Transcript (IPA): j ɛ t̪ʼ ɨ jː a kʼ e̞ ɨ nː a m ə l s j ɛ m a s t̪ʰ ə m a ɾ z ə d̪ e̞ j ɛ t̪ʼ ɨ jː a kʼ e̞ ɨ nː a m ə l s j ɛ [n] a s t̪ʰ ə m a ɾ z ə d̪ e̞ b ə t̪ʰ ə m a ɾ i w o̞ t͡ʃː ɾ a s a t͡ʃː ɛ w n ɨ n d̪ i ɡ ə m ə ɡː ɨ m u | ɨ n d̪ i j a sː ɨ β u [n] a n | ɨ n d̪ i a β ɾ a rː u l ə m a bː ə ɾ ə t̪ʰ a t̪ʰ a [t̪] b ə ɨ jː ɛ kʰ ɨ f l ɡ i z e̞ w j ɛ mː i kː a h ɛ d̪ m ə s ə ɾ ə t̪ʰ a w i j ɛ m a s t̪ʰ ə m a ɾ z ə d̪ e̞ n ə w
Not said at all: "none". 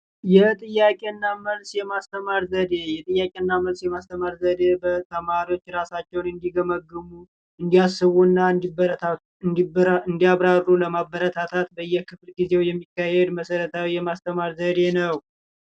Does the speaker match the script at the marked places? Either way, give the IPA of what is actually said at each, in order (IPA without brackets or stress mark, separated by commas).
m, nː, t̪